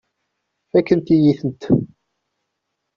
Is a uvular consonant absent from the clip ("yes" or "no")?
yes